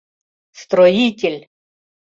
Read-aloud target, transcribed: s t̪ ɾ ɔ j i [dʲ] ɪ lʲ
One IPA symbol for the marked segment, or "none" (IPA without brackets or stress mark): tʲ